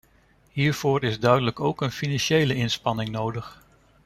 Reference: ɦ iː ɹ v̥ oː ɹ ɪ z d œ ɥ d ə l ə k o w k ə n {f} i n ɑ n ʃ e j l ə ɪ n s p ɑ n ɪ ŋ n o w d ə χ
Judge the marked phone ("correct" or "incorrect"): correct